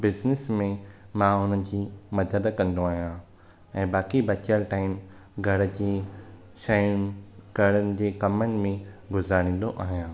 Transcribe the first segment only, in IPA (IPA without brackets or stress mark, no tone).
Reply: b